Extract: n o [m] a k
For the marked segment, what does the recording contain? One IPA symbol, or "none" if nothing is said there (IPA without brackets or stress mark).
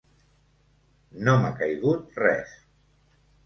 m